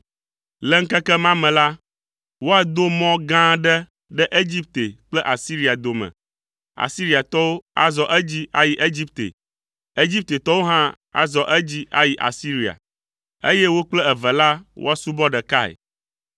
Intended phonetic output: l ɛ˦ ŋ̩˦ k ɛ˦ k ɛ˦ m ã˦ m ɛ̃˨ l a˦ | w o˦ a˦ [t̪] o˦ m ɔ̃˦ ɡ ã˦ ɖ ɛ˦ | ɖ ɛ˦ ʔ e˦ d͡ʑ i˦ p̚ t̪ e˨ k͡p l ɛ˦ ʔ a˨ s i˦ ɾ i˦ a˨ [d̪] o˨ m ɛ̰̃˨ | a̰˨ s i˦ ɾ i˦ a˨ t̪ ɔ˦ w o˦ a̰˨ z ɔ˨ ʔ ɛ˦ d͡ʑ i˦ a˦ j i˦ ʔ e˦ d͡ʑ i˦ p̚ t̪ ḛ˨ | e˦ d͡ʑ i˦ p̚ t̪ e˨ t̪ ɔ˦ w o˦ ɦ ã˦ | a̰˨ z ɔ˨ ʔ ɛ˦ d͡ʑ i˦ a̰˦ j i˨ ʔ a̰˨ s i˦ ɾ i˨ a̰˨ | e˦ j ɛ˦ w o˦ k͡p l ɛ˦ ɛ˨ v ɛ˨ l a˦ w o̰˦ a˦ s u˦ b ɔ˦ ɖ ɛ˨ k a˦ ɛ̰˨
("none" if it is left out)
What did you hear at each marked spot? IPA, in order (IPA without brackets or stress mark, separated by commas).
d̪, d̪